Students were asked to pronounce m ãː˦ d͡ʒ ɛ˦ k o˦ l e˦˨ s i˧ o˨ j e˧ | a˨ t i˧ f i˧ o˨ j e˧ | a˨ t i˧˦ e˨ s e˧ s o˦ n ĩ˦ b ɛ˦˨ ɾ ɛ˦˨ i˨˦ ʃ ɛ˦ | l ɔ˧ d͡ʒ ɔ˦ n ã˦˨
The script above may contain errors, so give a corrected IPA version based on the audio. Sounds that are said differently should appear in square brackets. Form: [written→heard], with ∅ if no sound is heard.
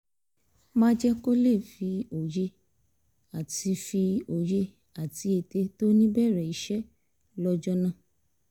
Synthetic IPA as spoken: m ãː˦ d͡ʒ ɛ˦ k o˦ l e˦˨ [s→f] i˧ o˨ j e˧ | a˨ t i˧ f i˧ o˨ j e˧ | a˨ t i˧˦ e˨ [s→t] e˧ [s→t] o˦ n ĩ˦ b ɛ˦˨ ɾ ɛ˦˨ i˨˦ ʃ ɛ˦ | l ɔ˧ d͡ʒ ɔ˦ n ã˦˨